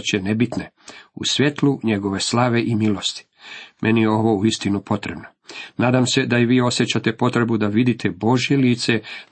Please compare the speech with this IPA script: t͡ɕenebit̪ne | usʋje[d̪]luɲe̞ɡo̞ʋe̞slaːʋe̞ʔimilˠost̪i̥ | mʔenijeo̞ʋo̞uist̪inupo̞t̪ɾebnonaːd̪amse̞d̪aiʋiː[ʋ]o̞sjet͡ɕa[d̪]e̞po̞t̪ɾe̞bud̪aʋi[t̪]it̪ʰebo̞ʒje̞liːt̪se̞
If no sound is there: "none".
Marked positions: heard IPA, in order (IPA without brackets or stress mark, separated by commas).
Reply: t̪, none, t̪, d̪